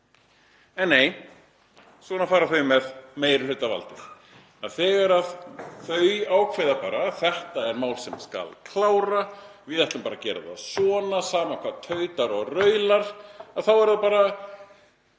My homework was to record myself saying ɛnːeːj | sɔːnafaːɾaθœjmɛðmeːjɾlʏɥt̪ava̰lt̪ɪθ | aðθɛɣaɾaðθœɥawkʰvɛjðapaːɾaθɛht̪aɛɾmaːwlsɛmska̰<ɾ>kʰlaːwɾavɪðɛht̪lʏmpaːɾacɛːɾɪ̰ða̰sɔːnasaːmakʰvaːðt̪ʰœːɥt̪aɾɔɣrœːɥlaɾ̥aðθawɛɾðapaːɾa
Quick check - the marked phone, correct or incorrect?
incorrect: l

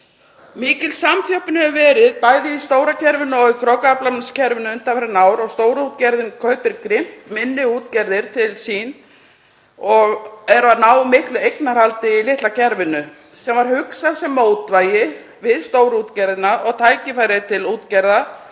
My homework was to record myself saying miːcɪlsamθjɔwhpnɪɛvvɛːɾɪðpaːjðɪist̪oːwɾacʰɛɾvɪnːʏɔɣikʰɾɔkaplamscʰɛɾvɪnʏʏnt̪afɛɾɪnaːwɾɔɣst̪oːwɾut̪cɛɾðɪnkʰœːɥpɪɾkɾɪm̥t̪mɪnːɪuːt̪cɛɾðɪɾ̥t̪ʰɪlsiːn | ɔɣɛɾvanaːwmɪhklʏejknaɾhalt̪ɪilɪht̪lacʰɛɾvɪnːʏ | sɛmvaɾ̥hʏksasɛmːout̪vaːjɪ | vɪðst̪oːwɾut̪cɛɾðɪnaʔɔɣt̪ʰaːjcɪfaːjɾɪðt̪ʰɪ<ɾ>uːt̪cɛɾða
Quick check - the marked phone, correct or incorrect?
incorrect: l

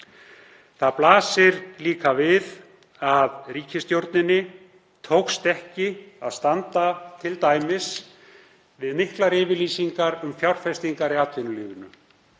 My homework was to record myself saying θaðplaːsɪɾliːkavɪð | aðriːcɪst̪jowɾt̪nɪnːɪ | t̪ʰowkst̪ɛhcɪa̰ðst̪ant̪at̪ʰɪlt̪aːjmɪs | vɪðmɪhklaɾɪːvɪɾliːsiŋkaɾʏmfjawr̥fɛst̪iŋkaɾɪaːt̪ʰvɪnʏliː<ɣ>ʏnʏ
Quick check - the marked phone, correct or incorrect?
correct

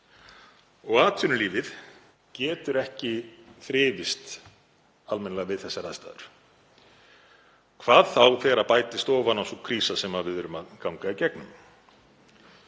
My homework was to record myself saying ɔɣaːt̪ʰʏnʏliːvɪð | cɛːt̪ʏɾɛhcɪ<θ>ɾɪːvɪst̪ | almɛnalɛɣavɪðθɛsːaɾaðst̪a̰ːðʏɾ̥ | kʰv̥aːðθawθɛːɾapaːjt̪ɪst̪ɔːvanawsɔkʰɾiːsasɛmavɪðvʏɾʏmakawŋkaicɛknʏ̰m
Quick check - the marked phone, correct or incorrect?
correct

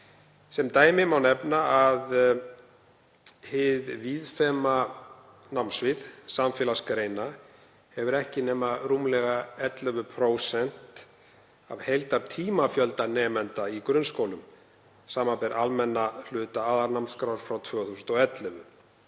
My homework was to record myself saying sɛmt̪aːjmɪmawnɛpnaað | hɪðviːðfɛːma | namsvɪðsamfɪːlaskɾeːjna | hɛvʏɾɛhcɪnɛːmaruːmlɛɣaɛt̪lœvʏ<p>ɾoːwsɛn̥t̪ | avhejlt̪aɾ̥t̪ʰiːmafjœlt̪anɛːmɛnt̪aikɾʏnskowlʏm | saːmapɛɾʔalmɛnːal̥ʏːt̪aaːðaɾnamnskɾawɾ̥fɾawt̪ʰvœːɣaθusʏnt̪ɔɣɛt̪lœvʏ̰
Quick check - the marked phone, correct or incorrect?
incorrect: pʰ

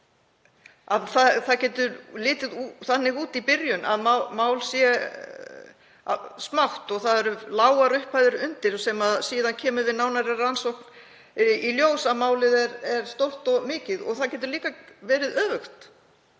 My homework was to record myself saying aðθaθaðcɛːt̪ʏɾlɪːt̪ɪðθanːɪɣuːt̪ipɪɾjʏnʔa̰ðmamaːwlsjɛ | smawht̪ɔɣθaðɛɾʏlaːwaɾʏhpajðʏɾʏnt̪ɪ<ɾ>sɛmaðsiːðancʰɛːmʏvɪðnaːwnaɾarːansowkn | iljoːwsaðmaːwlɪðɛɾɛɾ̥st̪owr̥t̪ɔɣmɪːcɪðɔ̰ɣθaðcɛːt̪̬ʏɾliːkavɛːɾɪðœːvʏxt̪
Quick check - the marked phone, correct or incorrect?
correct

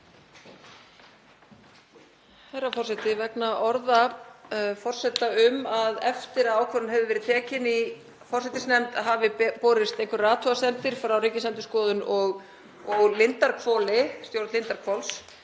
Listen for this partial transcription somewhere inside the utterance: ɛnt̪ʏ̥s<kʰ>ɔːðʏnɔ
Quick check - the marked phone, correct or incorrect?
incorrect: k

